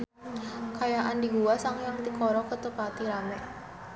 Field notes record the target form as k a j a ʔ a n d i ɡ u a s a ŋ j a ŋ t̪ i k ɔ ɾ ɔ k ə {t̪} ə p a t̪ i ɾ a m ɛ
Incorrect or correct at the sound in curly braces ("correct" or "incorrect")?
correct